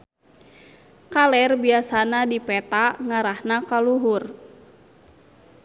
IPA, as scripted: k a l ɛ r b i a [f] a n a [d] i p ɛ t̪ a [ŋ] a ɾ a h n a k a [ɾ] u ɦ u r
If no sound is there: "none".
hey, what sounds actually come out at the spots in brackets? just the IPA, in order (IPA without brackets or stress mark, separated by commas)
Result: s, d, ŋ, l